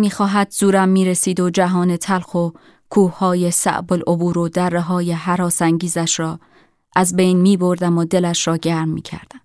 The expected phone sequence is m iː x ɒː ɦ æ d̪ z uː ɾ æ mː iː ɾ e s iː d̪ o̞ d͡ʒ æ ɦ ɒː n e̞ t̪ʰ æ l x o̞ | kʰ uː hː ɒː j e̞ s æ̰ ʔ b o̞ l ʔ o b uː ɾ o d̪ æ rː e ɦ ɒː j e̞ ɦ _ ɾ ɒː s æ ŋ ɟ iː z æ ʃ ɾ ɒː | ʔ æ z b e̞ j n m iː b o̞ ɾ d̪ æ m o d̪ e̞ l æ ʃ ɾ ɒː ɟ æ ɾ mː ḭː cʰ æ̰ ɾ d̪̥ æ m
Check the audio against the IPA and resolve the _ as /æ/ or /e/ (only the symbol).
æ